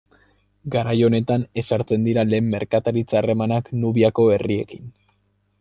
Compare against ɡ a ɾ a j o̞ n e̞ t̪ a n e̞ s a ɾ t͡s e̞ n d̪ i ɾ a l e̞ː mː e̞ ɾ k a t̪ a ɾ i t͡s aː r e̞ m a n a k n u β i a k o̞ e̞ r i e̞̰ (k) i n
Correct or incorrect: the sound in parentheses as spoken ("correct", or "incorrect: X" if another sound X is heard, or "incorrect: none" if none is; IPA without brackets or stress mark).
correct